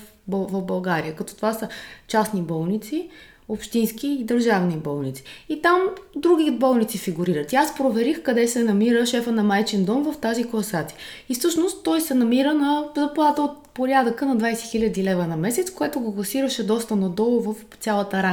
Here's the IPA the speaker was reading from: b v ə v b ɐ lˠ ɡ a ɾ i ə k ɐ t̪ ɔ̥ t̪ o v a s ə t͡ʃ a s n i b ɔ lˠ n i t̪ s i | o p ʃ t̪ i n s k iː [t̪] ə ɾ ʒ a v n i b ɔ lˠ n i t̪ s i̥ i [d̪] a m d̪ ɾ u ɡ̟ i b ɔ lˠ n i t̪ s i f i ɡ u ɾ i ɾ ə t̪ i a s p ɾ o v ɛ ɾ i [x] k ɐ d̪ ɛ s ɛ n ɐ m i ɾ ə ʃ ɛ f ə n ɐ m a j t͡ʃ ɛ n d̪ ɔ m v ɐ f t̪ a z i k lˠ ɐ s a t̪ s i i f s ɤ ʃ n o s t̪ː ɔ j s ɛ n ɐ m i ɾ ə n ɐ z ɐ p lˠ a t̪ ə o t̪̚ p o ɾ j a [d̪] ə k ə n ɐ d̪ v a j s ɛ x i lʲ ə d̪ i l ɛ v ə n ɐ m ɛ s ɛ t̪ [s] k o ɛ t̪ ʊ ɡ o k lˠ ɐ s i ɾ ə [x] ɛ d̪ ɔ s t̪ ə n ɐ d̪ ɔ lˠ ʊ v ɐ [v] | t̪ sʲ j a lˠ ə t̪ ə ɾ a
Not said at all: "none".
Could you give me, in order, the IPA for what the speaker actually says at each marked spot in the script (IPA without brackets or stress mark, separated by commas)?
d̪, t̪, x, d̪, s, ʃ, f